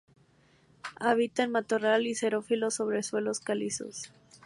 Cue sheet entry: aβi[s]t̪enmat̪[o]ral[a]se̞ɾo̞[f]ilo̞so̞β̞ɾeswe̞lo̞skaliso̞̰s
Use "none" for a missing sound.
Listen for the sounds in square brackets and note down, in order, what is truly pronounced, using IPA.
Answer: none, o, i, f

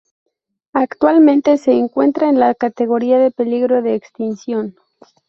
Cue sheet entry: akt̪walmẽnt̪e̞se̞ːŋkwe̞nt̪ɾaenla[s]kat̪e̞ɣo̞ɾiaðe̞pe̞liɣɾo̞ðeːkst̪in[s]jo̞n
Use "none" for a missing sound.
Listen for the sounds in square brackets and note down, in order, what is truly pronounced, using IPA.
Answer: none, s

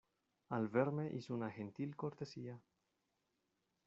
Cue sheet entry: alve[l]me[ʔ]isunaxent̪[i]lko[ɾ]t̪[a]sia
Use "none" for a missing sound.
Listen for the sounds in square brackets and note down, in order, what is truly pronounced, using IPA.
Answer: ɾ, ʔ, i, ɾ, e

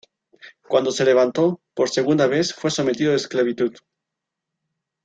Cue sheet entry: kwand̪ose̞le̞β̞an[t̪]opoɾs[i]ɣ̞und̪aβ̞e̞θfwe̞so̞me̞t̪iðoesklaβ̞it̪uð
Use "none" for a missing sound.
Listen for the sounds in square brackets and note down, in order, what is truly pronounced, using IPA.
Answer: t̪, e

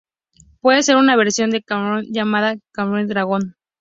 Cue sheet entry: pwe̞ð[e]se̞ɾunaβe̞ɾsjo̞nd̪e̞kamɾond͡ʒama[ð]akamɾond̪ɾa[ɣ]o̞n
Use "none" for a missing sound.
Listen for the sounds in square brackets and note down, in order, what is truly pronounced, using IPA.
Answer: e, ð, ɣ

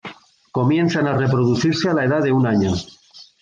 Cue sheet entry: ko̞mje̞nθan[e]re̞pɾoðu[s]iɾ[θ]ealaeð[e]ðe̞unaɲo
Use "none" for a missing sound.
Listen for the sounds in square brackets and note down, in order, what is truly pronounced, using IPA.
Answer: a, θ, s, a

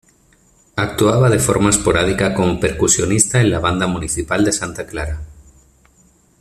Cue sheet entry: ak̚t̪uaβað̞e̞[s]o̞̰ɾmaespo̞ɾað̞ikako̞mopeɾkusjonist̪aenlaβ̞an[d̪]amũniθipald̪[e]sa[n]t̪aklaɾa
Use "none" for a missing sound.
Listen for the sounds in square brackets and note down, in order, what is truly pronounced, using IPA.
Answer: f, d̪, e, n

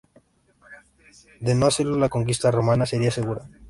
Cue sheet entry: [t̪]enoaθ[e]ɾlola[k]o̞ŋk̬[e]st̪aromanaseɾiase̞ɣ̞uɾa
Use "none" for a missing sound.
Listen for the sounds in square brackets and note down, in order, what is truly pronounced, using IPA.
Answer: d̪, e, k, i

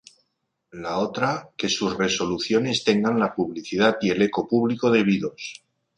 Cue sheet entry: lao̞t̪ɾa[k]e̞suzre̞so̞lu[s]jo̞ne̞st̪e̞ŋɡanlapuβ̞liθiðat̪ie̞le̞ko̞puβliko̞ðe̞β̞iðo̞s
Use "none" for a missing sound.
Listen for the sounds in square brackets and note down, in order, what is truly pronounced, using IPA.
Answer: k, θ

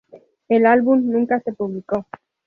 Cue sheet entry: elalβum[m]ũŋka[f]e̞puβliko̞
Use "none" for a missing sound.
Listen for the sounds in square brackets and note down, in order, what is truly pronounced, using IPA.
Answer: n, s

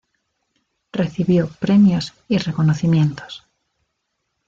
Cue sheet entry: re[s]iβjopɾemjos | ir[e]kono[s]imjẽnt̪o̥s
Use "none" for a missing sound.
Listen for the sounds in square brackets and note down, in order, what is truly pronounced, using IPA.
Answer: θ, e, θ

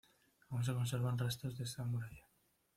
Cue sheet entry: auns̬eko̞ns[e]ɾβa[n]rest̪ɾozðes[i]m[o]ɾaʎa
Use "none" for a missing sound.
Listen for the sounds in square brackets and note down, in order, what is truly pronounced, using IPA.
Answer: e, n, a, u

